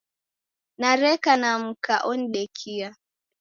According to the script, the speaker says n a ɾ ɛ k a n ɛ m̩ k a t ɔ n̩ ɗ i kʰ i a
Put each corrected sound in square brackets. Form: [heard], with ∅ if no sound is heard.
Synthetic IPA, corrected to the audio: n a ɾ ɛ k a n [a] m̩ k a [ʔ] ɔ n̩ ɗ [ɛ] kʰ i a